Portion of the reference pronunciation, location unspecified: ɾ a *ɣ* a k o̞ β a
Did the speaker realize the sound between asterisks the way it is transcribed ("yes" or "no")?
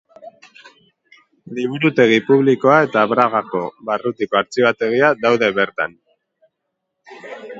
yes